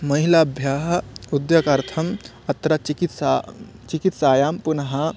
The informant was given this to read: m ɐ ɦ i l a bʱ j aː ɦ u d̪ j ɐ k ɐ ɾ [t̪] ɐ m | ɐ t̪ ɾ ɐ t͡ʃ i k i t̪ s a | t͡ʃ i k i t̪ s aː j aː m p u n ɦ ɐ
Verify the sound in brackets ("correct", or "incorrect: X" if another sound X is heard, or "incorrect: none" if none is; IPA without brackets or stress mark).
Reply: incorrect: t̪ʰ